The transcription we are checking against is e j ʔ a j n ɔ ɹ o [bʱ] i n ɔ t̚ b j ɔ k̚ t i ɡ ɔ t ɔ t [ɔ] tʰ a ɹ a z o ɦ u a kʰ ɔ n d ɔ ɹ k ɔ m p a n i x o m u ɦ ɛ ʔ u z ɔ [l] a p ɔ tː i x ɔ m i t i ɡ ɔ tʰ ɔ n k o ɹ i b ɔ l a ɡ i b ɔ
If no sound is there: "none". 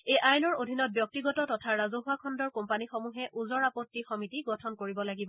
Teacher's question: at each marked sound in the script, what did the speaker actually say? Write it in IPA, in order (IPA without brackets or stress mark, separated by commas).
dʱ, ɔ, ɹ